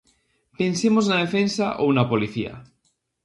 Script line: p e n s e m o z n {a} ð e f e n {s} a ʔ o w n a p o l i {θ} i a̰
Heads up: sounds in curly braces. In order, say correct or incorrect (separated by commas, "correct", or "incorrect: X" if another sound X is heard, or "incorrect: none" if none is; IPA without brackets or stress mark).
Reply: correct, correct, correct